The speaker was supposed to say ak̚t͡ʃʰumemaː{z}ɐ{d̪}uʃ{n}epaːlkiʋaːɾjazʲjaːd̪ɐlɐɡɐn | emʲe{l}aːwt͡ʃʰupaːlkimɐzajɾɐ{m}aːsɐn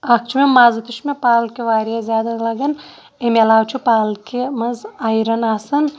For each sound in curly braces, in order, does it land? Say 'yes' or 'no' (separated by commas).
yes, no, no, yes, no